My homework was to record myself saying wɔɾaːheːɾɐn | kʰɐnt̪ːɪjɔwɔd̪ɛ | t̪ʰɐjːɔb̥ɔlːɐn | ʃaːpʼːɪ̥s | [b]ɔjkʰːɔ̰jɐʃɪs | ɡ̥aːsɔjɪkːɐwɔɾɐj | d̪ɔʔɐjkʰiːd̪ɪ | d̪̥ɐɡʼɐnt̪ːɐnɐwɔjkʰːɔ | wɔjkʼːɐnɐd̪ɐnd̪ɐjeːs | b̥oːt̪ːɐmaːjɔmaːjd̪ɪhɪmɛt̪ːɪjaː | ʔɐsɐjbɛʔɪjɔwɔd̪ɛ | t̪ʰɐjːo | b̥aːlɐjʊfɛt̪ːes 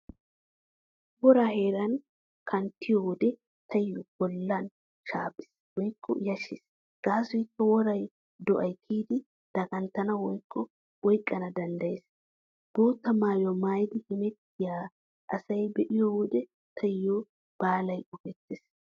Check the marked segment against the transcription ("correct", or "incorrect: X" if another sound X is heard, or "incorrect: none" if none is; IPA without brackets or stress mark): incorrect: w